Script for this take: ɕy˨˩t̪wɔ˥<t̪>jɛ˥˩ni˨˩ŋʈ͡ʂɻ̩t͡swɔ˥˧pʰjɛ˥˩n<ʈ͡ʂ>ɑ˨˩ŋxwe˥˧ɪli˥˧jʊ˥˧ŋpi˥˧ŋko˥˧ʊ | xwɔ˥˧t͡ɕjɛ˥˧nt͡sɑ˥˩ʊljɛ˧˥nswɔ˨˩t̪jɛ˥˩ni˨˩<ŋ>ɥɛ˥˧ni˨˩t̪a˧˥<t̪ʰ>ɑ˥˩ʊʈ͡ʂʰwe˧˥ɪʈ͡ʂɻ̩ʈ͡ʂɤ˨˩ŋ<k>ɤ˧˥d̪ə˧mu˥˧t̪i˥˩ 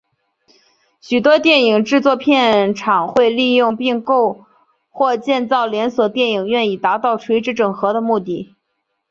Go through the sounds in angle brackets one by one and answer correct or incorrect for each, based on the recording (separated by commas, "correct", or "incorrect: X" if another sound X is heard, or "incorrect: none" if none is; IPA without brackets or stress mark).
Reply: correct, incorrect: ʈ͡ʂʰ, correct, incorrect: t̪, incorrect: x